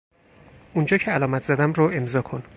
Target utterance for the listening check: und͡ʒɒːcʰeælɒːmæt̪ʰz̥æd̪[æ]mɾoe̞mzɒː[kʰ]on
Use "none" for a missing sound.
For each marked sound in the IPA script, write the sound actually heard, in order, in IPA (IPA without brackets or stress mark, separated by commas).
æ, kʰ